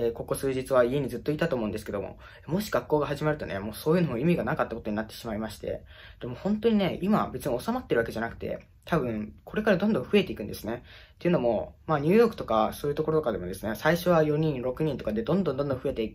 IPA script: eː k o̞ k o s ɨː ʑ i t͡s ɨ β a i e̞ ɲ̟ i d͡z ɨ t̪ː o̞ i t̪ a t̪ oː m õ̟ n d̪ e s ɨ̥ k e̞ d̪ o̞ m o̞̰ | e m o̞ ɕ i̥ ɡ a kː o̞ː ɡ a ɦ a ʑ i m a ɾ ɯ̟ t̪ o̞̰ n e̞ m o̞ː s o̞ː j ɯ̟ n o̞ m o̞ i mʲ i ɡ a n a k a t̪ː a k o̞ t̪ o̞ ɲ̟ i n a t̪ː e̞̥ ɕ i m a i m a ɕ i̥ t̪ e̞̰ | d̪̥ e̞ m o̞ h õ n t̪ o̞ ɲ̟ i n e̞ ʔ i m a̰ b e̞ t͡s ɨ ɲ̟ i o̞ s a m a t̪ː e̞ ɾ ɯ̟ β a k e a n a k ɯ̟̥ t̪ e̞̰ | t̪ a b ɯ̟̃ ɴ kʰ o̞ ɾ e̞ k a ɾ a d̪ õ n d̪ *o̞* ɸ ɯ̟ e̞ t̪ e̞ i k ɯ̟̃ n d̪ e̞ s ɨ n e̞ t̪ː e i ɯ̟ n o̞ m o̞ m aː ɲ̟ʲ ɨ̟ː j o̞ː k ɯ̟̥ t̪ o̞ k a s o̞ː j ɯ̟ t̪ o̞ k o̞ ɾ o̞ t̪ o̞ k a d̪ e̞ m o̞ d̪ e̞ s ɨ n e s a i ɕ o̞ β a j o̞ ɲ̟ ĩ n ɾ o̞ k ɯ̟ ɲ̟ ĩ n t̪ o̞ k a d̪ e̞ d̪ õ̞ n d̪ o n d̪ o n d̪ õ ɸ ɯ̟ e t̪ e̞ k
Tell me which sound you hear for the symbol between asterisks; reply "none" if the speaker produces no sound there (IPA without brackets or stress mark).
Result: õ̞